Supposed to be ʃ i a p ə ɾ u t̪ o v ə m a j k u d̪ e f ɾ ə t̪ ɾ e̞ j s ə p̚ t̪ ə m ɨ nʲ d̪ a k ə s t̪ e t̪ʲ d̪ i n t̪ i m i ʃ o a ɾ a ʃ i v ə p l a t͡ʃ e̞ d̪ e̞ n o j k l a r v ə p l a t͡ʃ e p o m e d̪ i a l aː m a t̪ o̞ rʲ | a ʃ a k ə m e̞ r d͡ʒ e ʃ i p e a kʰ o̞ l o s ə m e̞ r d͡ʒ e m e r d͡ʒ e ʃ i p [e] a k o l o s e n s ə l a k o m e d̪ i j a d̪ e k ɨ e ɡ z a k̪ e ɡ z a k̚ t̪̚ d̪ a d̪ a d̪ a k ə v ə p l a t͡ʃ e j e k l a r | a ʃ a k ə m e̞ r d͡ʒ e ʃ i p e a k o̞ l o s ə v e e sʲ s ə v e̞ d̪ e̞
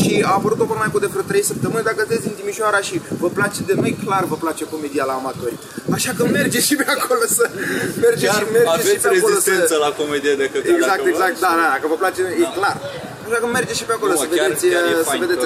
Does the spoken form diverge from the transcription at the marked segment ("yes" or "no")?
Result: no